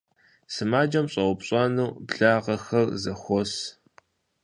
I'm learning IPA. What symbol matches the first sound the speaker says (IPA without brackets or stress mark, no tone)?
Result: s